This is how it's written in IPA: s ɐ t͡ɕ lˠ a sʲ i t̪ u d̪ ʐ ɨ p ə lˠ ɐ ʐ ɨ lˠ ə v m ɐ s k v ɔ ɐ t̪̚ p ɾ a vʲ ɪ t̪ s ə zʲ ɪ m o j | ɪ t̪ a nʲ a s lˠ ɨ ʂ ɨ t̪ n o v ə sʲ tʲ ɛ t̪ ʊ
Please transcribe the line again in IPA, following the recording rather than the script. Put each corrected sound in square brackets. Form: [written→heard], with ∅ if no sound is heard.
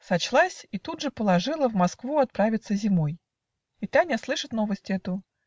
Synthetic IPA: s ɐ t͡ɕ lˠ a sʲ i t̪ u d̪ ʐ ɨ p ə lˠ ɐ ʐ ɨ lˠ ə v m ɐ s k v [ɔ→u] ɐ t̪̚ p ɾ a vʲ ɪ t̪ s ə zʲ ɪ m o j | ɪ t̪ a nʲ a s lˠ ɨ ʂ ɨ t̪ n o v ə sʲ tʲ ɛ t̪ ʊ

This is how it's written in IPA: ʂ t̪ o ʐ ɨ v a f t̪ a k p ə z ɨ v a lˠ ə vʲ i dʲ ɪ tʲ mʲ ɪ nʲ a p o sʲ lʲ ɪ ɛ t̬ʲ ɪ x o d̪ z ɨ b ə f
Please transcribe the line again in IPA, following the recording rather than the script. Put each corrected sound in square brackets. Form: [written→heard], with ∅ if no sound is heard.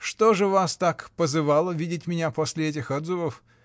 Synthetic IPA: ʂ t̪ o ʐ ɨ v a [f→s] t̪ a k p ə z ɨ v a lˠ ə vʲ i dʲ ɪ tʲ mʲ ɪ nʲ a p o sʲ lʲ ɪ ɛ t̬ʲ ɪ x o d̪ z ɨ [b→v] ə f

